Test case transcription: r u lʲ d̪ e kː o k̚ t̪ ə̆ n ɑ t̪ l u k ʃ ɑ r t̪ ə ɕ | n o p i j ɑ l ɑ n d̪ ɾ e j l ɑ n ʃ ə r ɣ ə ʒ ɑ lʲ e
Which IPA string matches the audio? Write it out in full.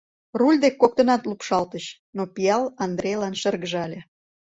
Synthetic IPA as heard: r u lʲ d̪ e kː o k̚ t̪ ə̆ n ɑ t̪ l u p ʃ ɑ l t̪ ə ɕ | n o p i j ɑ l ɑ n d̪ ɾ e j l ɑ n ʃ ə r ɣ ə ʒ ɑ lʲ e

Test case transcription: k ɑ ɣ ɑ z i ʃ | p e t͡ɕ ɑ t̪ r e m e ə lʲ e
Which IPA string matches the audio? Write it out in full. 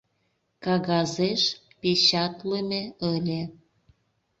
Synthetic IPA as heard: k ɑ ɣ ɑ z e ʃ | p e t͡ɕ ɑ t̪ l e m e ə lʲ e

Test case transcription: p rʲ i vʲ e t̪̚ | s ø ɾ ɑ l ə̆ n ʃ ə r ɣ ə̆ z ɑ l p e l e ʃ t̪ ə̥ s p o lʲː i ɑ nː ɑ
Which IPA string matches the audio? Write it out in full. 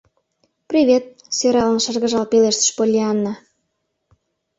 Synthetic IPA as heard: p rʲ i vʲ e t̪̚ | s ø ɾ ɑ l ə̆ n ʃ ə r ɣ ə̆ ʒ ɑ l p e l e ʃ t̪ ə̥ ʃ p o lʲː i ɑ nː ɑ

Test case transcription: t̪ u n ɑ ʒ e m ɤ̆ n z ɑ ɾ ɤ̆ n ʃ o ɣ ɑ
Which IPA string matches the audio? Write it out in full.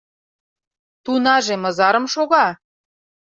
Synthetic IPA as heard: t̪ u n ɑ ʒ e m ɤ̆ z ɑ ɾ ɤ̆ m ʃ o ɣ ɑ

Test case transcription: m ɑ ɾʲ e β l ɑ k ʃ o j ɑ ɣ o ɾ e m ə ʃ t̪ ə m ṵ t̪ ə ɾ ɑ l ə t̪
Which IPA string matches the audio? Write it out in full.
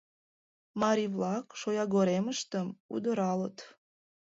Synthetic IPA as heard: m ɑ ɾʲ i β l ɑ k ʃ o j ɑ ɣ o ɾ e m ə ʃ t̪ ə m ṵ d̪ ə ɾ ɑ l ə t̪

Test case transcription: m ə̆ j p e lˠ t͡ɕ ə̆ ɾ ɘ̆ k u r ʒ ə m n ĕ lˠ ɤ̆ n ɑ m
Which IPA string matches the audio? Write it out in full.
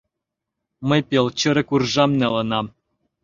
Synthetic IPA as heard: m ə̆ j p e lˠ t͡ɕ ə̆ ɾ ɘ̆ k u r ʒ ɑ m n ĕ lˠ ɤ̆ n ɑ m

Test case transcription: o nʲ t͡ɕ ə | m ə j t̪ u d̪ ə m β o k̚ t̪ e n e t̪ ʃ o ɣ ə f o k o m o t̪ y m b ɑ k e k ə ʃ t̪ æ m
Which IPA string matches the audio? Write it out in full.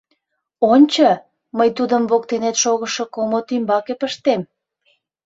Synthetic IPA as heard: o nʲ t͡ɕ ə | m ə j t̪ u d̪ ə m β o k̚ t̪ e n e t̪ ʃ o ɣ ə ʃ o k o m o t̪ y m b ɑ k e p ə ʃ t̪ e m

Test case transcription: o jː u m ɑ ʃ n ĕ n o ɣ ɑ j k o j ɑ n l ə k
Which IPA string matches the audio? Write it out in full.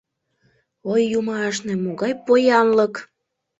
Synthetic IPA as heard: o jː u m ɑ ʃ n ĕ m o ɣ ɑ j p o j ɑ n l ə k

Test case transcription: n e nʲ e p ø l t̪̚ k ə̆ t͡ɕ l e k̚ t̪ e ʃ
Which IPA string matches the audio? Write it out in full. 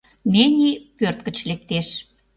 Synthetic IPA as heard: n e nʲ i p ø r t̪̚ k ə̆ t͡ɕ l e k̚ t̪ e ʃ

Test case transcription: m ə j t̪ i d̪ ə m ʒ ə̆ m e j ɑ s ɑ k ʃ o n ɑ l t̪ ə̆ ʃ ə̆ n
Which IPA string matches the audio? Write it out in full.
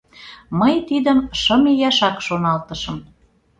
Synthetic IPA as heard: m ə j t̪ i d̪ ə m ʃ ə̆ m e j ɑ ʃ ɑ k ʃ o n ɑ l t̪ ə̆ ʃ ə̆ m

